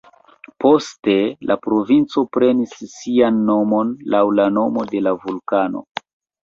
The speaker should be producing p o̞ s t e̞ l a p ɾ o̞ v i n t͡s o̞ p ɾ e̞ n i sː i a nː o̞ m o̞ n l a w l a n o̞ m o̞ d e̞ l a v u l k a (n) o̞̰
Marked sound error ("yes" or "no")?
no